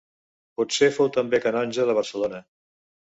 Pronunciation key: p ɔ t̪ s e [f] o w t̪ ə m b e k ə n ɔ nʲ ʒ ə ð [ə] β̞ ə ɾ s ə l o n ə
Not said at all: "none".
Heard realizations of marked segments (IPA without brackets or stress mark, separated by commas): f, ə